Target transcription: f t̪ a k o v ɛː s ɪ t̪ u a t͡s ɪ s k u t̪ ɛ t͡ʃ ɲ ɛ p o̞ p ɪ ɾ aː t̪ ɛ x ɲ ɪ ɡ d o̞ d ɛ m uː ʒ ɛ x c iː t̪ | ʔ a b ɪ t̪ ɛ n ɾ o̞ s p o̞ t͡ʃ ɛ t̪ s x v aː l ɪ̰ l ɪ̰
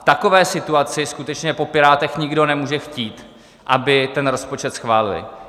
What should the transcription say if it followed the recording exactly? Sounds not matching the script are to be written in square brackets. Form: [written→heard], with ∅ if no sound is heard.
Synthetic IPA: f t̪ a k o v ɛː s ɪ t̪ u a t͡s ɪ s k u t̪ ɛ t͡ʃ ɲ ɛ p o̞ p ɪ ɾ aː t̪ ɛ x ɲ ɪ ɡ d o̞ [d→n] ɛ m uː ʒ ɛ x c iː t̪ | ʔ a b ɪ t̪ ɛ n ɾ o̞ s p o̞ t͡ʃ ɛ t̪ s x v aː l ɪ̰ l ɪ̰